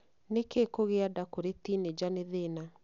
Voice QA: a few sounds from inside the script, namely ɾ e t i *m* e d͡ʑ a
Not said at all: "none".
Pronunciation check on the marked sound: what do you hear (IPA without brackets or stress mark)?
n